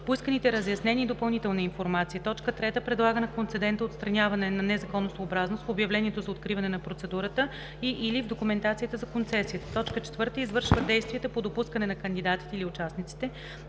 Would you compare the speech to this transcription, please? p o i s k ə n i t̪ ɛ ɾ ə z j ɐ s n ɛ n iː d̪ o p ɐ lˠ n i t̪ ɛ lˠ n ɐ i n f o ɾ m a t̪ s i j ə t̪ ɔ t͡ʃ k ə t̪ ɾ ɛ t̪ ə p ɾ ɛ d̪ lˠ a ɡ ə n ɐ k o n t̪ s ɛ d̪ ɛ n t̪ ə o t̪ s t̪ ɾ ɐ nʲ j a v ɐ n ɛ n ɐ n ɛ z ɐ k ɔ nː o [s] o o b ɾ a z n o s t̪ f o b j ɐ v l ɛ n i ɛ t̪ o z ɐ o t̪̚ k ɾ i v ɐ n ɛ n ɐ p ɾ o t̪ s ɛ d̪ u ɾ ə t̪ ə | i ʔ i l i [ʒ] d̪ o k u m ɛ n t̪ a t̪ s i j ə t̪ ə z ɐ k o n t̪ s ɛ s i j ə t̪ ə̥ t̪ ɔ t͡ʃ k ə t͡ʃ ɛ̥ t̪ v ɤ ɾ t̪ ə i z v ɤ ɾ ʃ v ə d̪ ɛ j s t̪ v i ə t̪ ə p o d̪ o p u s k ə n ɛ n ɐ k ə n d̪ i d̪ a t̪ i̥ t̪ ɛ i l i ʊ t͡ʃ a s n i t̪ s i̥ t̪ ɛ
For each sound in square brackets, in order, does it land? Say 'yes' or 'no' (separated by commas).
yes, no